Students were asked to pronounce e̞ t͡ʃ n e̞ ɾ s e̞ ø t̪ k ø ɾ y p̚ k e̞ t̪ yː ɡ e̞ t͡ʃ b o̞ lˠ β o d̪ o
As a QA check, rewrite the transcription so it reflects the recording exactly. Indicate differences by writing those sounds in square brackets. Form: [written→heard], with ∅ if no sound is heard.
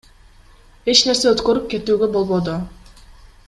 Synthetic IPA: e̞ t͡ʃ n e̞ ɾ s e̞ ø t̪ k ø ɾ y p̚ k e̞ t̪ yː ɡ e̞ [t͡ʃ→∅] b o̞ lˠ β o d̪ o